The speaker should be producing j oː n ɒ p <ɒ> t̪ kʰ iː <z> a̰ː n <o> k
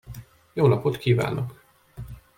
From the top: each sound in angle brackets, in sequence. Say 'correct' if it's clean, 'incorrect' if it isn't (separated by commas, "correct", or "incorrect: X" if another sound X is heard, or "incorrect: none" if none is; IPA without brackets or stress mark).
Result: incorrect: o, incorrect: v, correct